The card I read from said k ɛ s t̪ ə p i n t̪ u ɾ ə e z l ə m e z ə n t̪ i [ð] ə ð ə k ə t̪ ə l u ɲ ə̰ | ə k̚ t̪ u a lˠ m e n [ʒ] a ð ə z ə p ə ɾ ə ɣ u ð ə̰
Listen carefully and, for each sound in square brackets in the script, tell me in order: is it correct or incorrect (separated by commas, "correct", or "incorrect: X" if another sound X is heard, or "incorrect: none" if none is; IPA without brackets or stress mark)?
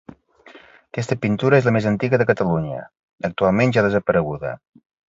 incorrect: ɣ, correct